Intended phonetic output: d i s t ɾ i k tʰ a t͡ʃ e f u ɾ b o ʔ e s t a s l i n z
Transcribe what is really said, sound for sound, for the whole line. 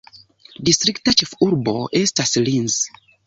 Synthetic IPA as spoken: d i s t ɾ i k t a t͡ʃ e f u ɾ b o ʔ e s t a s l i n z

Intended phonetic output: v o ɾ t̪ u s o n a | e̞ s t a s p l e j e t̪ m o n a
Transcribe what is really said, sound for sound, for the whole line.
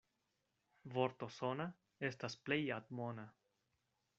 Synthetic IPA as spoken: v o ɾ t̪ o s o n a | e̞ s t a s p l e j a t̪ m o n a

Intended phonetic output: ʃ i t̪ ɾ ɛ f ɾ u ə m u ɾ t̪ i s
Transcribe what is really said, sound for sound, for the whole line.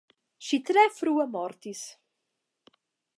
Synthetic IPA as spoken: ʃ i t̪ ɾ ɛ f ɾ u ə m ɔ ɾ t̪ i s

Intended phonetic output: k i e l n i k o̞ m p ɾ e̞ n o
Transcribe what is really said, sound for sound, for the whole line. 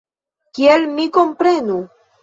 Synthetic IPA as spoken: k i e l m i k o̞ m p ɾ e̞ n u

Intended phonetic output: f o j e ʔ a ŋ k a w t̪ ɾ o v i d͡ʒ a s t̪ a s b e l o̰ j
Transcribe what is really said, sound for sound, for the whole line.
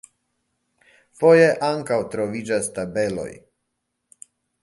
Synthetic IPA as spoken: f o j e ʔ a ŋ k a w t̪ ɾ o v i d͡ʒ a s t̪ a b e l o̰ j

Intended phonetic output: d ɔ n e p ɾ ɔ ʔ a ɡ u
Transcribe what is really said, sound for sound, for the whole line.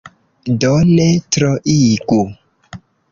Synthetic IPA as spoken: d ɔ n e t ɾ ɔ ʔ i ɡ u

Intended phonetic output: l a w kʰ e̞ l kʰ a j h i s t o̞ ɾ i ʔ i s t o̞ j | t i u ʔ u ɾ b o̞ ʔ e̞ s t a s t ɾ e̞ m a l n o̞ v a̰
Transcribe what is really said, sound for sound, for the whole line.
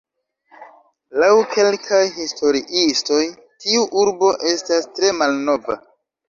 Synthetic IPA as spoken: l a w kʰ e̞ l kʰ a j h i s t o̞ ɾ i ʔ i s t o̞ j | t i u ʔ u ɾ b o̞ ʔ e̞ s t a s t ɾ e̞ m a l n o̞ v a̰

